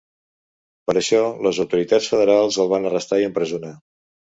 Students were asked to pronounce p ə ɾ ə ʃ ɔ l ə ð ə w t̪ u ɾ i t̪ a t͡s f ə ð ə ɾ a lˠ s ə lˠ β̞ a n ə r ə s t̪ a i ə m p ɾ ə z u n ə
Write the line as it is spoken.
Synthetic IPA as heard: p ə ɾ ə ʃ ɔ l ə z ə w t̪ u ɾ i t̪ a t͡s f ə ð ə ɾ a lˠ z ə lˠ β̞ a n ə r ə s t̪ a i ə m p ɾ ə z u n a